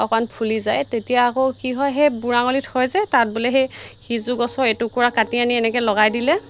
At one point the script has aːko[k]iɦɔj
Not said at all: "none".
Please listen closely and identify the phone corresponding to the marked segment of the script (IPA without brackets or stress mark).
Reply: k